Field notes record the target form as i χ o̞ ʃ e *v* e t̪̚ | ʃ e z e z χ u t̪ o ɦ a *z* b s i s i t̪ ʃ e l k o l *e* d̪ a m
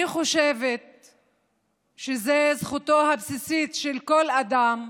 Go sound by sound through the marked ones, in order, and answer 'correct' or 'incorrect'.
correct, incorrect: none, incorrect: a

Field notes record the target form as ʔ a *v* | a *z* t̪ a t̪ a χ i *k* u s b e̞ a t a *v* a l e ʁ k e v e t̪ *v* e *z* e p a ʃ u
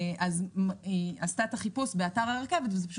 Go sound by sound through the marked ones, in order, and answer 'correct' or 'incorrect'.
incorrect: z, incorrect: s, incorrect: p, incorrect: ʁ, correct, correct

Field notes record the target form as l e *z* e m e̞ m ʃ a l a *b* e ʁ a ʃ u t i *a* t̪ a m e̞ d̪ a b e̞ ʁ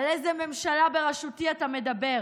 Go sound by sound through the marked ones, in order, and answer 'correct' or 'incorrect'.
correct, correct, correct

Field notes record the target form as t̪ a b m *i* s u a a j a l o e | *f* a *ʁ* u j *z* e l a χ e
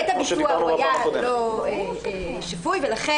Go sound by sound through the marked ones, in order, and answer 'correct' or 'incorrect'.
correct, incorrect: ʃ, incorrect: v, incorrect: v

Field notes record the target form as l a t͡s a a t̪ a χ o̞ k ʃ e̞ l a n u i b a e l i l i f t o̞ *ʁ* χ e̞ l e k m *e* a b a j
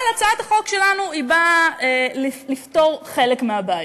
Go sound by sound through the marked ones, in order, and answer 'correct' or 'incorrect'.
correct, correct

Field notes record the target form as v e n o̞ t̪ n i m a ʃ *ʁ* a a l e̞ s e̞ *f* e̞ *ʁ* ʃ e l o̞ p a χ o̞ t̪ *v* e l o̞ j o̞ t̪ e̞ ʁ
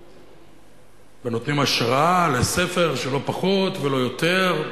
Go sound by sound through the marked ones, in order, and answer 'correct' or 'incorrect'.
correct, correct, correct, correct

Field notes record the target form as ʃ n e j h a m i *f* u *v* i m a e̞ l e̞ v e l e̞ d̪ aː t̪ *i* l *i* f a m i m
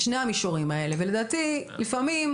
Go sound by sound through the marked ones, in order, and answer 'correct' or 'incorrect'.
incorrect: ʃ, incorrect: ʁ, correct, correct

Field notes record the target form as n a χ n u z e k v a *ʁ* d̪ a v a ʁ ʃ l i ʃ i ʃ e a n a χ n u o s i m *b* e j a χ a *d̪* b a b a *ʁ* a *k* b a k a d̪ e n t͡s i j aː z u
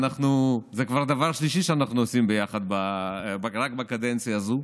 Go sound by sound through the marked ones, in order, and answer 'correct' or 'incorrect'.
correct, correct, correct, correct, correct

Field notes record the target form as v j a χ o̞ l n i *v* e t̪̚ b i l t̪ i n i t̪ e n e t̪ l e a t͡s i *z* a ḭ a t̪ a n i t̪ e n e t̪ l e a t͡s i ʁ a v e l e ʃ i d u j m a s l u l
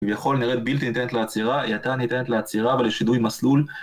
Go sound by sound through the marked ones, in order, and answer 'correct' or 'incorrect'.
incorrect: ʁ, incorrect: ʁ

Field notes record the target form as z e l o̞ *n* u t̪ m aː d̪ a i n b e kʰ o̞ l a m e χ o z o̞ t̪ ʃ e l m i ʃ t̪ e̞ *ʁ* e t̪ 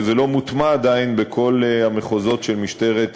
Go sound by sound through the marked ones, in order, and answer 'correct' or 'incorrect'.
incorrect: m, correct

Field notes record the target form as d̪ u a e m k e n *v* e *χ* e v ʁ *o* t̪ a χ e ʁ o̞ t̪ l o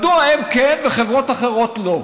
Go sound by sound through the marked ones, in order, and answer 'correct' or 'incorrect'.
correct, correct, correct

